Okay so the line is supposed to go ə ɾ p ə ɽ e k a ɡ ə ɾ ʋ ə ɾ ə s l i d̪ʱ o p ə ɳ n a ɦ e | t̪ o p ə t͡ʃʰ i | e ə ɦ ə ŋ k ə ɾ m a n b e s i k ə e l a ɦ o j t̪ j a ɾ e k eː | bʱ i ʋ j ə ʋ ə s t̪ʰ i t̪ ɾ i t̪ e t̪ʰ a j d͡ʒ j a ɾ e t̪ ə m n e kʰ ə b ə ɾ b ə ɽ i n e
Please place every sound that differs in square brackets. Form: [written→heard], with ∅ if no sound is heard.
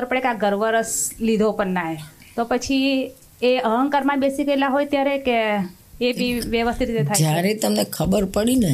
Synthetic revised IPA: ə ɾ p ə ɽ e k a ɡ ə ɾ ʋ ə ɾ ə s l i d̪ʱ o p ə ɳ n a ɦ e | t̪ o p ə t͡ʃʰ i | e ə ɦ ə ŋ k ə ɾ m a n b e s i k ə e l a ɦ o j t̪ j a ɾ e k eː | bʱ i ʋ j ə ʋ ə s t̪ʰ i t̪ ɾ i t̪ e t̪ʰ a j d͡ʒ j a ɾ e t̪ ə m n e kʰ ə b ə ɾ [b→p] ə ɽ i n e